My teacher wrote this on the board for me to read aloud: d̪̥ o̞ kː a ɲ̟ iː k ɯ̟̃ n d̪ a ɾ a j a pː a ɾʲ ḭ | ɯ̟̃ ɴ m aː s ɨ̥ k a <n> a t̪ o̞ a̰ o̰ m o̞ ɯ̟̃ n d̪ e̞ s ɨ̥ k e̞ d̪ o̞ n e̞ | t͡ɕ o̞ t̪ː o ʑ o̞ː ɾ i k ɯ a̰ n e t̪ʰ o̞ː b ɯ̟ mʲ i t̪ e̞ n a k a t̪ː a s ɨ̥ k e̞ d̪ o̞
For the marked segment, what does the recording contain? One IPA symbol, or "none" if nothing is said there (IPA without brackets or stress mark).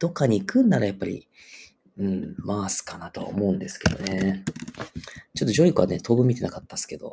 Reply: n